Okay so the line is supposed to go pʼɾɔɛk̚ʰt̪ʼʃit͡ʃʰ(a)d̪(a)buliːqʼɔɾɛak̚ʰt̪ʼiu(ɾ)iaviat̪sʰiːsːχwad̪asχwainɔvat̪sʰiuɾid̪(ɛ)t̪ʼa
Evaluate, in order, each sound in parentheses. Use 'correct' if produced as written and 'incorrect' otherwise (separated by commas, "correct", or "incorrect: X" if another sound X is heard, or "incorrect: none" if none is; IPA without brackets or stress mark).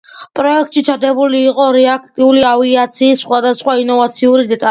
correct, incorrect: ɛ, incorrect: l, correct